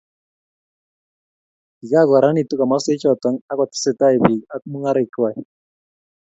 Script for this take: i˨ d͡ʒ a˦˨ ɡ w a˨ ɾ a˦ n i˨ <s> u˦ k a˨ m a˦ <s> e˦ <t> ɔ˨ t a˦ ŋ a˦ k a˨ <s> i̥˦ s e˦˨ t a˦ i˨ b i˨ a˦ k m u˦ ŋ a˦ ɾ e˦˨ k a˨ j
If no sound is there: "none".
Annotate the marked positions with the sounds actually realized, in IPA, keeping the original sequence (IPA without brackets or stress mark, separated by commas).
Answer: t, s, t͡ʃ, t